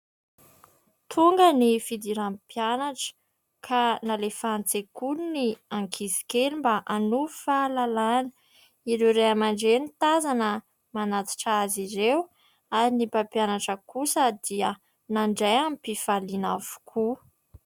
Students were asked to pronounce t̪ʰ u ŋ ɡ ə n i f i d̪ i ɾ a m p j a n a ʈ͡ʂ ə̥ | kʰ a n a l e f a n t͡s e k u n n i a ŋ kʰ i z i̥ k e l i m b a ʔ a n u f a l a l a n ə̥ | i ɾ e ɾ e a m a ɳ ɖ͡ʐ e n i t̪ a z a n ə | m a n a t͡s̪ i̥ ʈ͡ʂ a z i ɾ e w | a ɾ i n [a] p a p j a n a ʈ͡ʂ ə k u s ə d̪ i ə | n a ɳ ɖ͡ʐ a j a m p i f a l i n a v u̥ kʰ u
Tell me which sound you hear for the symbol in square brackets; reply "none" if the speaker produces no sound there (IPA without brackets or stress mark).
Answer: i